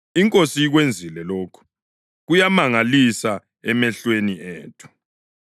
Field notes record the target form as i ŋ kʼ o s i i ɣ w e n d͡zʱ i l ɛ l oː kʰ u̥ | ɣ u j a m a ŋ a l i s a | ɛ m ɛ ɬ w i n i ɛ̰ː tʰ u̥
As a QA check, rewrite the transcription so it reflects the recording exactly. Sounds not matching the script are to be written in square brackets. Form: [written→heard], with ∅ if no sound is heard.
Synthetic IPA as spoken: i ŋ kʼ o s i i ɣ w e n d͡zʱ i l ɛ l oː kʰ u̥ | ɣ u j a m a ŋ a l i s a | ɛ m ɛ ɬ w [i→e] n i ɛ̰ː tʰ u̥